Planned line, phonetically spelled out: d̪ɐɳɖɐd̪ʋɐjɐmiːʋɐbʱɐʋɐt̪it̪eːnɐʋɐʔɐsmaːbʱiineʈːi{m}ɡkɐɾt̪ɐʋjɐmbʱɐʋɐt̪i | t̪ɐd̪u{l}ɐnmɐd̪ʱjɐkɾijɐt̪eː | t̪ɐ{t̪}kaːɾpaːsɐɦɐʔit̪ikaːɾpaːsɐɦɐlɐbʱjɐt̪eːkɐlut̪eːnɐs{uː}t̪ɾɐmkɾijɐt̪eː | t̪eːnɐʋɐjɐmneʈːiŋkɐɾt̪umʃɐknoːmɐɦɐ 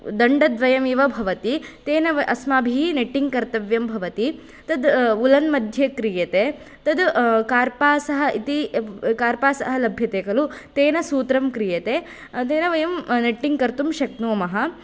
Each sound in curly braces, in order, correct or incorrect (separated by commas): incorrect, correct, incorrect, correct